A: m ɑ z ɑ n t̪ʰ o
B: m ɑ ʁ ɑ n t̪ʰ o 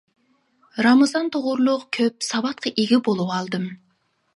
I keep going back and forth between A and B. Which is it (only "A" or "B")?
A